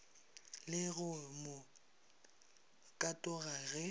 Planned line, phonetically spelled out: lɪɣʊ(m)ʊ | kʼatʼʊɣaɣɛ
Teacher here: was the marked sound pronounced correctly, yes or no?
yes